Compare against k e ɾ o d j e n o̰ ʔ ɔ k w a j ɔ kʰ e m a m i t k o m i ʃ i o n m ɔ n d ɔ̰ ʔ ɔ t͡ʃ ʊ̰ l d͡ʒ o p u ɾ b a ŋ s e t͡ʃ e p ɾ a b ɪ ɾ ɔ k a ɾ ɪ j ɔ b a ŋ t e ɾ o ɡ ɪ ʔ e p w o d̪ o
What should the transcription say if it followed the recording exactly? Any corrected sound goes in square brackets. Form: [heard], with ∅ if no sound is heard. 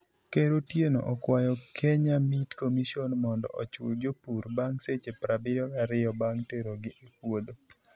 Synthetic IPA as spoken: k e ɾ o [t] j e n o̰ ʔ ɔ k w a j ɔ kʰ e [ɲ] a m i t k o m i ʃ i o n m ɔ n d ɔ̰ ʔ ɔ t͡ʃ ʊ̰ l d͡ʒ o p u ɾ b a ŋ s e t͡ʃ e p ɾ a b ɪ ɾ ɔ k a ɾ ɪ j ɔ b a ŋ t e ɾ o ɡ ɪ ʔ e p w o d̪ o